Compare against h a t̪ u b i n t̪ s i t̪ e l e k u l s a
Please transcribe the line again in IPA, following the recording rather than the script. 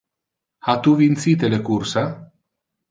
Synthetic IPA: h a t̪ u v i n t̪ s i t̪ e l e k u r s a